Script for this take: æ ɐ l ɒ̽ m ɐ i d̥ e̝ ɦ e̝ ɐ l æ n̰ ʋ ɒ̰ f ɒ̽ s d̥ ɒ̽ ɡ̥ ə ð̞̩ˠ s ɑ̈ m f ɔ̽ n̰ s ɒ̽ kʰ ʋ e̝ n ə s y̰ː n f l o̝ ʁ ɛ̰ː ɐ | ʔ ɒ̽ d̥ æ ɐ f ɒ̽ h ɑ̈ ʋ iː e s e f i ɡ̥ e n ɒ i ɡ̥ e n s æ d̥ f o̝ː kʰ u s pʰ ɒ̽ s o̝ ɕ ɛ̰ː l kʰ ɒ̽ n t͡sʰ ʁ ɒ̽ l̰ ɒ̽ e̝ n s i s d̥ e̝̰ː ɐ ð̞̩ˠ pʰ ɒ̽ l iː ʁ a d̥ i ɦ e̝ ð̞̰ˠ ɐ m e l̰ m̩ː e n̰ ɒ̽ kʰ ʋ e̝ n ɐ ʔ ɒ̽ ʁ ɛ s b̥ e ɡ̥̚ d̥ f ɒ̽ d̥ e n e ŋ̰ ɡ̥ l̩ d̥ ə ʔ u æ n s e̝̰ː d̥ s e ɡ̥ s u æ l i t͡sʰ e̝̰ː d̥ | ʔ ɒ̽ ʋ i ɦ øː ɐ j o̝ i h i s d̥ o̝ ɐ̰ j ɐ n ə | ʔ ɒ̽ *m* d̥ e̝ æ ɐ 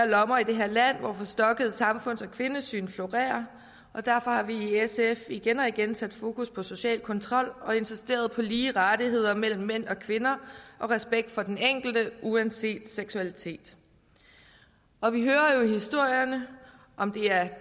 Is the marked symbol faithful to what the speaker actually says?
yes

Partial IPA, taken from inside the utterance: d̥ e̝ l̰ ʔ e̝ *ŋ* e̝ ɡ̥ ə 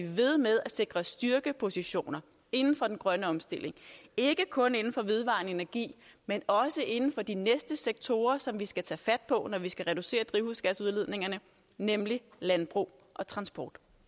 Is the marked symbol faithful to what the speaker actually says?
yes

